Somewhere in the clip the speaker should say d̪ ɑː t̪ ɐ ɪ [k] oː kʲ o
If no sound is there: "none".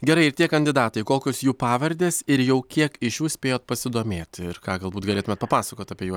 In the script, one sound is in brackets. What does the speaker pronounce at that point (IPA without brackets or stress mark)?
k